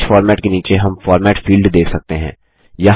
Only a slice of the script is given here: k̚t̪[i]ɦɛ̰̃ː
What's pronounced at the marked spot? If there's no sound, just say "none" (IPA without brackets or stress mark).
e